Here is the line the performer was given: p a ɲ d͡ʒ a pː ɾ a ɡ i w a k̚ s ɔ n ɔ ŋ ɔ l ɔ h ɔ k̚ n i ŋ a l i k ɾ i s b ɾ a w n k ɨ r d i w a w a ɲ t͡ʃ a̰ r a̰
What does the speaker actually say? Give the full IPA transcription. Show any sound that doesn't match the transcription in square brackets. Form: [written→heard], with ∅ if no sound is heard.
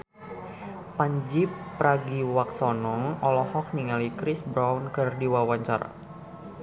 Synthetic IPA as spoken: p a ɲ d͡ʒ [a→i] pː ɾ a ɡ i w a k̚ s ɔ n ɔ ŋ ɔ l ɔ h ɔ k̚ n i ŋ a l i k ɾ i s b ɾ a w n k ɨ r d i w a w a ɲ t͡ʃ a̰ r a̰